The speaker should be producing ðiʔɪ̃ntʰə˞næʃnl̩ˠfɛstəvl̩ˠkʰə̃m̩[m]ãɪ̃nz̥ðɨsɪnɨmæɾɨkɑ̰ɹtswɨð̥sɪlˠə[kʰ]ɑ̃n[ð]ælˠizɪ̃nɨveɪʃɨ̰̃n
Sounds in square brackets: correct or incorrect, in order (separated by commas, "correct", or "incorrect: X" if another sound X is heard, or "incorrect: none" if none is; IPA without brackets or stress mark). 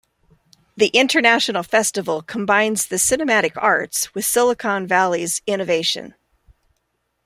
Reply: incorrect: b, correct, incorrect: v